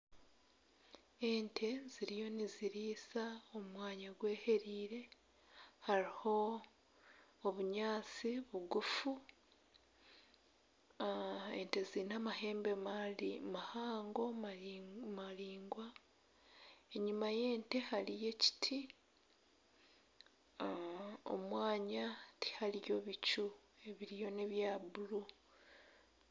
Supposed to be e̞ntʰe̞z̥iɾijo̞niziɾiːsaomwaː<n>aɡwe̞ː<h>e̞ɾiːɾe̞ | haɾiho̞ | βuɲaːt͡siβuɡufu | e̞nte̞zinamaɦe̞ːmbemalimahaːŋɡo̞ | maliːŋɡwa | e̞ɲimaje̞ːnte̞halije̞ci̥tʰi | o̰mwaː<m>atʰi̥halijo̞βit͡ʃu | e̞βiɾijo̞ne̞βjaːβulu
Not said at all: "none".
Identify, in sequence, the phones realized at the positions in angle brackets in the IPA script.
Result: ɲ, h, ɲ

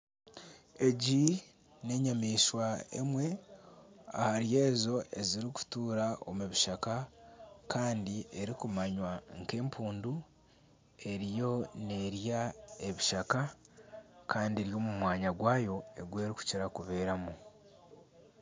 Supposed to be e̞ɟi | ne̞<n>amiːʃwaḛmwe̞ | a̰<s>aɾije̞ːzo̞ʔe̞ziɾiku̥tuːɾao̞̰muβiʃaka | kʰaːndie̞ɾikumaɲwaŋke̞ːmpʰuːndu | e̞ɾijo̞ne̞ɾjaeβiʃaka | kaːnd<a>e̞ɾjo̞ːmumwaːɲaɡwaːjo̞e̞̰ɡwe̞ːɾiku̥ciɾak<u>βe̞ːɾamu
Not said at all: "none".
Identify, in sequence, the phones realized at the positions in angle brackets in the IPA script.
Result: ɲ, h, i, u

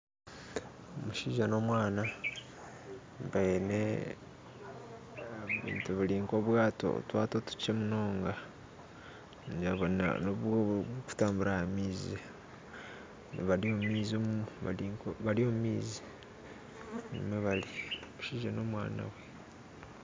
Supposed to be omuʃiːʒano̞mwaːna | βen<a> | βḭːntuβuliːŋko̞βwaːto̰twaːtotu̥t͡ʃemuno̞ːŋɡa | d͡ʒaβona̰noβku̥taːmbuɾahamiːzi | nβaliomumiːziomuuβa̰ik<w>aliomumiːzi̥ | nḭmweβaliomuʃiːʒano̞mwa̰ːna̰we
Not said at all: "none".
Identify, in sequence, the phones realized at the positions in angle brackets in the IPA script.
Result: e, β

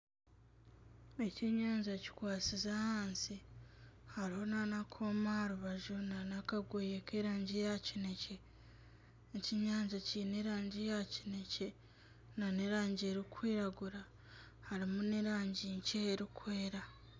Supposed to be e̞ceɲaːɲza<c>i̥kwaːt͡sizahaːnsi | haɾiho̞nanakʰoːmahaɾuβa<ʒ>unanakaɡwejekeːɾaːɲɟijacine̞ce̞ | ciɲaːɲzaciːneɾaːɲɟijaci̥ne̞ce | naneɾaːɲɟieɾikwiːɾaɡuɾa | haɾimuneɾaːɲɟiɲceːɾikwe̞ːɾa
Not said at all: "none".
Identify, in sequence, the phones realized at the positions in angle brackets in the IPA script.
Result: c, ʒ

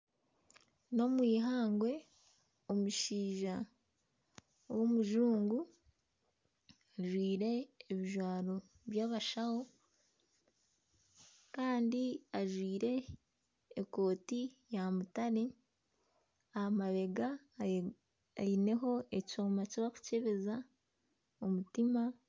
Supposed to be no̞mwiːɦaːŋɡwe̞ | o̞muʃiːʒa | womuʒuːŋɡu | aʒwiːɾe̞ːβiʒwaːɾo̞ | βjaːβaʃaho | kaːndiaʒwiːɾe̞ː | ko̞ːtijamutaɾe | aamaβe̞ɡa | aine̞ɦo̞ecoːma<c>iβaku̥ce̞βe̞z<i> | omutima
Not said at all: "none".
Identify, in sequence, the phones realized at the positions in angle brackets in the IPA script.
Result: c, a

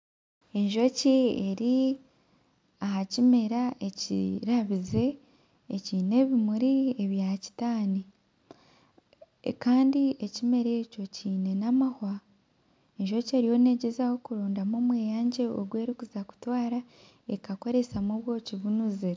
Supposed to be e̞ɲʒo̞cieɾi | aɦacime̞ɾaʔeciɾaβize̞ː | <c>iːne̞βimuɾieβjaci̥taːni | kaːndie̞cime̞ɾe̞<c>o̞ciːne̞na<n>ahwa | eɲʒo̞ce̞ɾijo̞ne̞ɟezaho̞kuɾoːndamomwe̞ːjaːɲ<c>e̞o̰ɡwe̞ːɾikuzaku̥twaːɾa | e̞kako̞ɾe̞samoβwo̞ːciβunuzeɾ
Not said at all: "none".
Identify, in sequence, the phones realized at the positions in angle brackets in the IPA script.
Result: c, c, m, ɟ

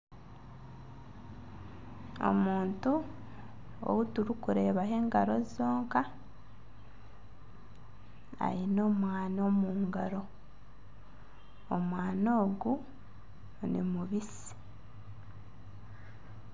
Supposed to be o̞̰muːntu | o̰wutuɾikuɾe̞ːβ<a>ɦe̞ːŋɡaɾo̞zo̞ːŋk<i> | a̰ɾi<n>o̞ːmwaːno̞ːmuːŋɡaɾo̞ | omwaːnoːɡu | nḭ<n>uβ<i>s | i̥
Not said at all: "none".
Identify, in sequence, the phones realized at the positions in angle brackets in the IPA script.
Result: a, a, n, m, i

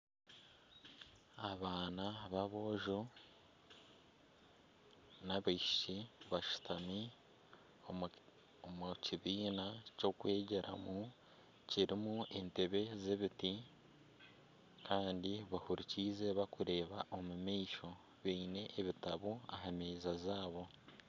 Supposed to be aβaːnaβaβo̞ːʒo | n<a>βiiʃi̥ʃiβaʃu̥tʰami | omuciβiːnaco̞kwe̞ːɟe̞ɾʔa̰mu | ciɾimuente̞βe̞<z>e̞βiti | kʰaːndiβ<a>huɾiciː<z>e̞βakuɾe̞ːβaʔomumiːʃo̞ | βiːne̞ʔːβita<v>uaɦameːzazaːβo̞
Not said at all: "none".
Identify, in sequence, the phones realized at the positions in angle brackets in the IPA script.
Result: a, z, a, z, β

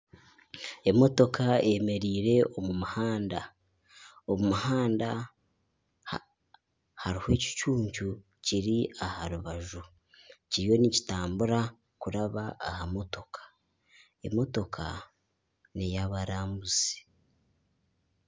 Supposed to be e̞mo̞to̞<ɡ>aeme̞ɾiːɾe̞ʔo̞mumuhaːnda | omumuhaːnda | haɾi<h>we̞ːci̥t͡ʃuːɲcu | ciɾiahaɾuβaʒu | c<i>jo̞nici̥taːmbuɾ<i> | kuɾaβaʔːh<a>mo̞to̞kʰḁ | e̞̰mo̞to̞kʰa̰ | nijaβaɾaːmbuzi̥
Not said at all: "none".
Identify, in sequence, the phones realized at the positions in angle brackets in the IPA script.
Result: k, h, i, a, a

